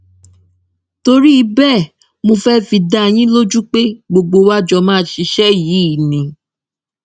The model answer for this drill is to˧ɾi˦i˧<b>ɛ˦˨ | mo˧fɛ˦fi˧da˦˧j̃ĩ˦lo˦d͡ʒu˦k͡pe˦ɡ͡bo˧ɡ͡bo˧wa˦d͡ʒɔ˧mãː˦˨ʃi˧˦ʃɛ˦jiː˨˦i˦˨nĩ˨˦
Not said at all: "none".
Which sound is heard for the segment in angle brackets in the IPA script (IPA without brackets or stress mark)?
b